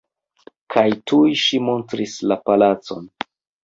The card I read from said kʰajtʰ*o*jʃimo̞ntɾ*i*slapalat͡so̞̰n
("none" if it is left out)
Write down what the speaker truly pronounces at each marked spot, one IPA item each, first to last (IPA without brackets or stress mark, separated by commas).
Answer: u, i